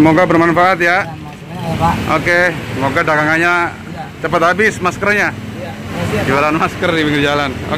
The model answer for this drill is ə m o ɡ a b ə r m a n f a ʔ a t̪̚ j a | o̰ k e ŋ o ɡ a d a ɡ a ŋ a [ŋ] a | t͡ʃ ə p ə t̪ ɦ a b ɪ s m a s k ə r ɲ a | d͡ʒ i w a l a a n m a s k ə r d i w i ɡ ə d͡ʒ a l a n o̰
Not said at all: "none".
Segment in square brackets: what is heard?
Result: ɲ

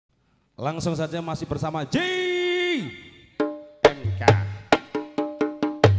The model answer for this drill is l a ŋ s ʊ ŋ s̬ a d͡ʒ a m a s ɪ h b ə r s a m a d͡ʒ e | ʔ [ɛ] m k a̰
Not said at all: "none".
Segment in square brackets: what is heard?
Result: ɛ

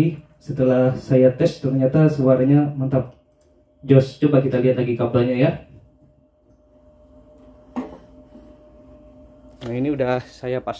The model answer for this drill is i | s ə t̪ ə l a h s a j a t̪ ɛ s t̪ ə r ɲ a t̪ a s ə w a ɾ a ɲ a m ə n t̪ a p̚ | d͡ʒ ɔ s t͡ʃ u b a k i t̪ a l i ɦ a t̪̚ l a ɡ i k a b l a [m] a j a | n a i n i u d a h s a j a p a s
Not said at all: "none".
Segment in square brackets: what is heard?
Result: ɲ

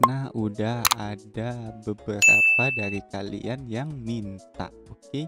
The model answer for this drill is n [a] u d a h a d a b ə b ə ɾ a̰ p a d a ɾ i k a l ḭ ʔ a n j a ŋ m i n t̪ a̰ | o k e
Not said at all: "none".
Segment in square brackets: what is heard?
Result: a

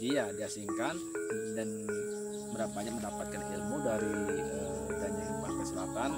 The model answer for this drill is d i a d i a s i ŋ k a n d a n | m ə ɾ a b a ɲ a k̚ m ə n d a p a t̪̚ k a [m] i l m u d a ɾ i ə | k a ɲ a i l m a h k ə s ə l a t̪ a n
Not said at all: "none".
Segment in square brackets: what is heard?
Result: n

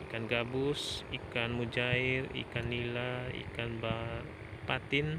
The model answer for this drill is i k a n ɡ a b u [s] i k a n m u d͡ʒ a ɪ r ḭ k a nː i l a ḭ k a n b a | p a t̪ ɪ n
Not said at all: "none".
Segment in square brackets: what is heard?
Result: s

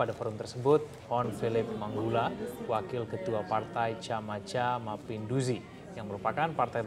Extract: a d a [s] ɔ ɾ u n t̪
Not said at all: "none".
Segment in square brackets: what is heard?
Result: f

